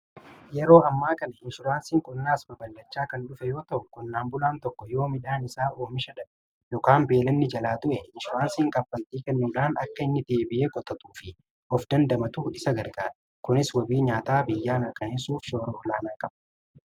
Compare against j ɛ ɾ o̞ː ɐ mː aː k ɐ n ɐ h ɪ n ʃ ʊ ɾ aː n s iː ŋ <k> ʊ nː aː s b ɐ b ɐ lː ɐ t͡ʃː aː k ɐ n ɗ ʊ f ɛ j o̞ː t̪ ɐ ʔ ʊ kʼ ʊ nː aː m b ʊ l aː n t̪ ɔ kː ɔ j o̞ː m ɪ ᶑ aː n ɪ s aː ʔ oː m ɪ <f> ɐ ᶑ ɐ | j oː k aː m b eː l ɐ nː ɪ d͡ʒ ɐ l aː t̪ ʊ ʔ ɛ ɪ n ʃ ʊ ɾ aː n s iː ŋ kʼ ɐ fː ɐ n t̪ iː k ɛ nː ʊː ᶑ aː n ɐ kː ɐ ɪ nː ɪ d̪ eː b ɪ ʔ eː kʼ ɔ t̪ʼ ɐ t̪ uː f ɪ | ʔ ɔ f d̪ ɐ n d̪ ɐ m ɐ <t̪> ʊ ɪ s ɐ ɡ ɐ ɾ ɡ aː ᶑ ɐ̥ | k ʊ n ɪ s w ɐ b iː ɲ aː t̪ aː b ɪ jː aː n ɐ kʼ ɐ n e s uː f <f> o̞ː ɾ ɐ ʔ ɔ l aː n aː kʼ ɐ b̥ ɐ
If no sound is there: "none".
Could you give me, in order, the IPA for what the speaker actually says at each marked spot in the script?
kʼ, ʃ, t̪, ʃ

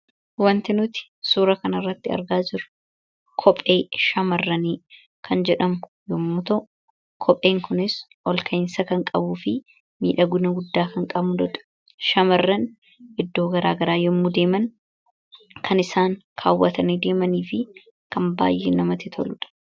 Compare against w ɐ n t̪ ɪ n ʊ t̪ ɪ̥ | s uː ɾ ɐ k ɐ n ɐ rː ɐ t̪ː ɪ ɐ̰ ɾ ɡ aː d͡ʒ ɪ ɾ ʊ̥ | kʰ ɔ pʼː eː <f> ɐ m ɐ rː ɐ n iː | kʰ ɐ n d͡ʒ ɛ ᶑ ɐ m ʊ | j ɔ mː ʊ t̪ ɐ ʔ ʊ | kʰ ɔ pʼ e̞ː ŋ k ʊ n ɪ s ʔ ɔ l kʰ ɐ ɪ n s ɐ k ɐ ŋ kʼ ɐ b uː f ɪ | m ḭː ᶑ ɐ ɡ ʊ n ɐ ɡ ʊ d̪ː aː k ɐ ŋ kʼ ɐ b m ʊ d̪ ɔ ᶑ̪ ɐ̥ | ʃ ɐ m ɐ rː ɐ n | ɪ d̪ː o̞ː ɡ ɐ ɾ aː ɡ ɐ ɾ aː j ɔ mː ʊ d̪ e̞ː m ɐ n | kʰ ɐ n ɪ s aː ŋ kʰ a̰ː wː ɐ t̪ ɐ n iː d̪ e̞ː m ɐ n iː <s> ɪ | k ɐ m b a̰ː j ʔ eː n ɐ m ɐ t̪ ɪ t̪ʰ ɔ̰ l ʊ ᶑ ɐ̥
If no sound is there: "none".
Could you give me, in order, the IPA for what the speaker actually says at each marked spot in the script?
ʃ, f

